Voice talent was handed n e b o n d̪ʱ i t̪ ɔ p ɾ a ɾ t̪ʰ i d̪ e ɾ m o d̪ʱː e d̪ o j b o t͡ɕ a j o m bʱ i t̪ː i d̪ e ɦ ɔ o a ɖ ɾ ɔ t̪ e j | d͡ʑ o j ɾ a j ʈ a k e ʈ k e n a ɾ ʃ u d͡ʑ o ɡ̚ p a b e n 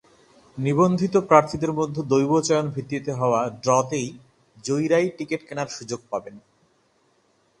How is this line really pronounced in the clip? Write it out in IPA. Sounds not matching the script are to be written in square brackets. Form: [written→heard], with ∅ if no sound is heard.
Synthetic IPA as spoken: n [e→i] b o n d̪ʱ i t̪ [ɔ→o] p ɾ a ɾ t̪ʰ i d̪ e ɾ m o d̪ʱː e d̪ o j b o t͡ɕ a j o [m→n] bʱ i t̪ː i [d̪→t̪] e ɦ ɔ o a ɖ ɾ ɔ t̪ e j | d͡ʑ o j ɾ a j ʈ [a→i] k e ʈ k e n a ɾ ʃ u d͡ʑ o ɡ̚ p a b e n